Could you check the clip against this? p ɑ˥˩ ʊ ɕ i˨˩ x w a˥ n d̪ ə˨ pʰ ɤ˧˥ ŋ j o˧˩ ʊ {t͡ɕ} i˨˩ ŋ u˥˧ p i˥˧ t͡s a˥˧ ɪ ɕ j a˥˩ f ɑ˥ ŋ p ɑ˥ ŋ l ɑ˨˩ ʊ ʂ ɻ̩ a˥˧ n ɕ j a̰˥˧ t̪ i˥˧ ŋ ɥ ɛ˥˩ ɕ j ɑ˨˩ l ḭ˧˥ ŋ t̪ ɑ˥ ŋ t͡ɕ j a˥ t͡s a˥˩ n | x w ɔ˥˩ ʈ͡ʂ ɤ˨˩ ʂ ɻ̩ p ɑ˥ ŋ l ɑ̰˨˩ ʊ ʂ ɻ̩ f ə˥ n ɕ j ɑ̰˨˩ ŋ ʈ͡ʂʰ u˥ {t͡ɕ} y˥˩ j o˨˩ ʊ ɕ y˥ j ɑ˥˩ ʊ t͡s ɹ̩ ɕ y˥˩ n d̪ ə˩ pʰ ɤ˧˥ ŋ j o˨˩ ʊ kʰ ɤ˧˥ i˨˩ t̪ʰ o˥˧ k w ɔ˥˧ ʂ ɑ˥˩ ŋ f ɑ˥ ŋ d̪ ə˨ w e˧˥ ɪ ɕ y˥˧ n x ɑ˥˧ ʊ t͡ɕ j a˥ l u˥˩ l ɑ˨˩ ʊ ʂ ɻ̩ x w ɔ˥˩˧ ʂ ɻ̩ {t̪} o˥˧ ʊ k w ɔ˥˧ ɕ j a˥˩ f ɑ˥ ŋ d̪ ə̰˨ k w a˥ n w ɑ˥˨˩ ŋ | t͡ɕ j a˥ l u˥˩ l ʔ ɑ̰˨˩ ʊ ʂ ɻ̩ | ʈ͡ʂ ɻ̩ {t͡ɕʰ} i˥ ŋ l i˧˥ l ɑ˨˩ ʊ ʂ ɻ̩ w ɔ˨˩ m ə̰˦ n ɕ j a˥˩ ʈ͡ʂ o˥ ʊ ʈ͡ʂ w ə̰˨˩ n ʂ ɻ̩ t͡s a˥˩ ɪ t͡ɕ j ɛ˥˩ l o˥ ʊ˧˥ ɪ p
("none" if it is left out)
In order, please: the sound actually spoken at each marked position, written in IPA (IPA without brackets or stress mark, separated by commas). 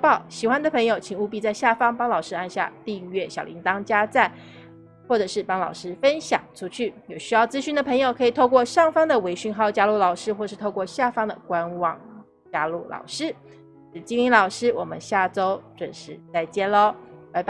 t͡ɕʰ, t͡ɕʰ, t̪ʰ, t͡ɕ